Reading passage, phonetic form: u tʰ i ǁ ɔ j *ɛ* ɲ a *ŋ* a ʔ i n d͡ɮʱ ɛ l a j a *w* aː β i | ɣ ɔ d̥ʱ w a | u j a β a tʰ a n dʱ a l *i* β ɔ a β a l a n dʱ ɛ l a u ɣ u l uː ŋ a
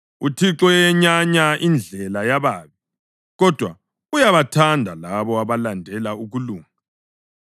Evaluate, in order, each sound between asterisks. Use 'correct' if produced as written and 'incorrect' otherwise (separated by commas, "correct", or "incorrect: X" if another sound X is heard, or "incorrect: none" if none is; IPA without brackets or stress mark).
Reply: correct, incorrect: ɲ, incorrect: β, incorrect: a